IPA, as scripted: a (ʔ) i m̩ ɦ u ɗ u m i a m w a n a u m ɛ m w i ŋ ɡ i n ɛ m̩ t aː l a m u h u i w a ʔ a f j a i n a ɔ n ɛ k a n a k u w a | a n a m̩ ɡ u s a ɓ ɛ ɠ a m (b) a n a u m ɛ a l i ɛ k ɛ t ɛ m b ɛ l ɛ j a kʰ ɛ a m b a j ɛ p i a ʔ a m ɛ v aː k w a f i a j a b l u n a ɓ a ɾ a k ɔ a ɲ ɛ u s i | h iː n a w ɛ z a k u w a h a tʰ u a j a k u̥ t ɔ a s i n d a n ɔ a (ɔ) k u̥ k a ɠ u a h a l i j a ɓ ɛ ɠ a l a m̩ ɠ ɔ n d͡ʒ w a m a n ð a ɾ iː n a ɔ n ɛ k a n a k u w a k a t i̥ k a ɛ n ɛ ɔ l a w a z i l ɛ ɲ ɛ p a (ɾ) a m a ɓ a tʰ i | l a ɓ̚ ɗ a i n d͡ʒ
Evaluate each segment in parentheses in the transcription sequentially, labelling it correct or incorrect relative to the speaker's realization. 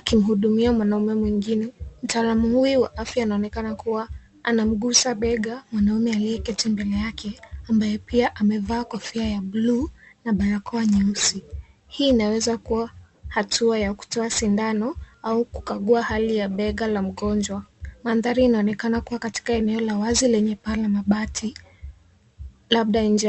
incorrect, incorrect, incorrect, incorrect

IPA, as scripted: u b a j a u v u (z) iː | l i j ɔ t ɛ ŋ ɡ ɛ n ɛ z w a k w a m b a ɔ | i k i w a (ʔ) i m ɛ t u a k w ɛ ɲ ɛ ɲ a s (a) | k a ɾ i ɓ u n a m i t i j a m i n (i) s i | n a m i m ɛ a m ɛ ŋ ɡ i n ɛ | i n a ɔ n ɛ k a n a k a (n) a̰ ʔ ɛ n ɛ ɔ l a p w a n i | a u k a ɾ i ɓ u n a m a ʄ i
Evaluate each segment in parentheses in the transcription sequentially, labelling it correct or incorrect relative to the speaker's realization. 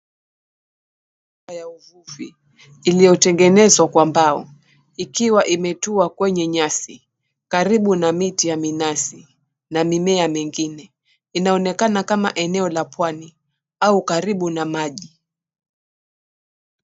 incorrect, correct, incorrect, incorrect, incorrect

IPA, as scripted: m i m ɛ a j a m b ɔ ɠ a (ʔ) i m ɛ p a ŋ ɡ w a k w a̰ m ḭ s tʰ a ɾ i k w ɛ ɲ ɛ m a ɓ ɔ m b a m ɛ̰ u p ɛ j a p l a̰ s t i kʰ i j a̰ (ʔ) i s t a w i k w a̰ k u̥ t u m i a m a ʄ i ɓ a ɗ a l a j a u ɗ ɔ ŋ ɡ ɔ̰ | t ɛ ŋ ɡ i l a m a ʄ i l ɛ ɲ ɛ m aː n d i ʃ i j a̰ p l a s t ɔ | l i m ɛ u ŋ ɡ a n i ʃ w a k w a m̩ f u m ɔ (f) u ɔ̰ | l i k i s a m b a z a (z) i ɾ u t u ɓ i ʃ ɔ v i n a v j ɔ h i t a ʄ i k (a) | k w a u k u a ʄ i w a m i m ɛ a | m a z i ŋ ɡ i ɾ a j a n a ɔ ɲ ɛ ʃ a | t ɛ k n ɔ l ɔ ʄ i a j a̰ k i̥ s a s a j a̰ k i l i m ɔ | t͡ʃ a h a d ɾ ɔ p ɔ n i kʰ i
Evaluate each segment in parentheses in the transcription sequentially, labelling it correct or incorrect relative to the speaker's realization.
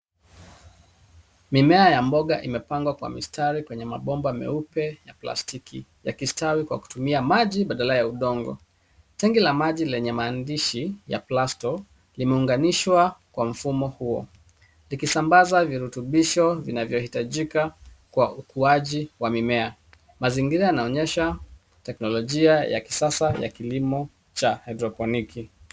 correct, incorrect, incorrect, incorrect, correct

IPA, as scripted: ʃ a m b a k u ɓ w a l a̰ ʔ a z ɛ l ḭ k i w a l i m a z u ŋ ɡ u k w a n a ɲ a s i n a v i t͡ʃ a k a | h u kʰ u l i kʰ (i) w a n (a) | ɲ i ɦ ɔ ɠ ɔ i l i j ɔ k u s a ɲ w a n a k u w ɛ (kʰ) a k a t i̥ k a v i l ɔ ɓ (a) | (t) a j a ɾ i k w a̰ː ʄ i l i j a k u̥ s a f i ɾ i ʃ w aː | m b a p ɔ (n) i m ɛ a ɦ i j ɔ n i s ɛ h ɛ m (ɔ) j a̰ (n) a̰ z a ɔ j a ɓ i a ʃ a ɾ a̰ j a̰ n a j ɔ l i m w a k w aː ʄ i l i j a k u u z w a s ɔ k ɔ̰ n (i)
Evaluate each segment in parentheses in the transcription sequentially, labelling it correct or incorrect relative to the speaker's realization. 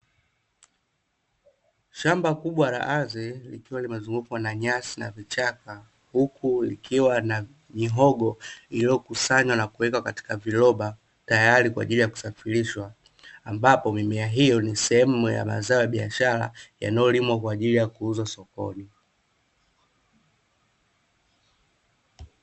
correct, correct, incorrect, correct, correct, incorrect, incorrect, incorrect, correct

